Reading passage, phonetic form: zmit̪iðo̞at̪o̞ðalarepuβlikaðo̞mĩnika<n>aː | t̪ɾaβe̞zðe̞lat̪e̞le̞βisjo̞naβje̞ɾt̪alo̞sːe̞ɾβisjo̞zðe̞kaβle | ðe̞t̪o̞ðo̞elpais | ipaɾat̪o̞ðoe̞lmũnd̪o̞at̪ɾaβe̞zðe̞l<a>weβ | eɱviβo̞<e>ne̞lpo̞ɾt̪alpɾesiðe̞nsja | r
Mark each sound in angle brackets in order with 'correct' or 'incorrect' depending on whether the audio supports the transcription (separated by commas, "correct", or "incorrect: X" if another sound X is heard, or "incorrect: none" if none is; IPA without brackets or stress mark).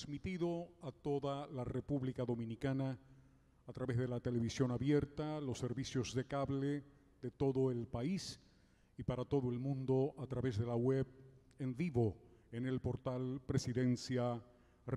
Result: correct, correct, correct